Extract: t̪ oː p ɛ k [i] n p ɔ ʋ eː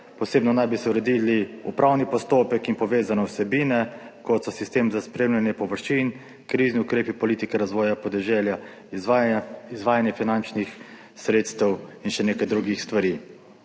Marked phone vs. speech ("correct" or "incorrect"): correct